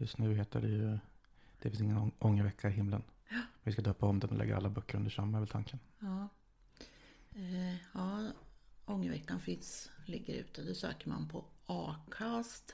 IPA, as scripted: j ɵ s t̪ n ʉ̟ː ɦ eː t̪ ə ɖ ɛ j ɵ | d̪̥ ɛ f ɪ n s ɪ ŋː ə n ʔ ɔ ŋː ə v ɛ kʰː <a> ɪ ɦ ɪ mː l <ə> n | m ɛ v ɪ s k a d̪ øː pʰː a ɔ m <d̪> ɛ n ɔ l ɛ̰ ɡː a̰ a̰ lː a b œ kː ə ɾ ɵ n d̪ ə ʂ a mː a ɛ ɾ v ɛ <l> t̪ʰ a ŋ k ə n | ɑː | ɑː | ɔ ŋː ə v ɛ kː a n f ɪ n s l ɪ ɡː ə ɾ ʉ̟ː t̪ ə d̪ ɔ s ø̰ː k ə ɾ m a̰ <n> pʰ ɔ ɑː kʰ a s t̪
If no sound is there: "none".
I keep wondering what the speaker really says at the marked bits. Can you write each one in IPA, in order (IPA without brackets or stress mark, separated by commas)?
a, ə, d̪, l, n